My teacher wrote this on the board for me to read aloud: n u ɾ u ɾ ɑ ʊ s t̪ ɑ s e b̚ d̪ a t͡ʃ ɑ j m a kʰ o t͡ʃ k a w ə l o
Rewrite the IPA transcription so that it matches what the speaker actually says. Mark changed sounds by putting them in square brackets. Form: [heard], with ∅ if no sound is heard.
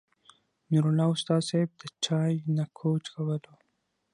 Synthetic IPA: n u ɾ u [l] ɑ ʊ s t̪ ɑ s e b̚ d̪ [ə] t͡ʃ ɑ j [n] a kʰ o t͡ʃ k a w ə l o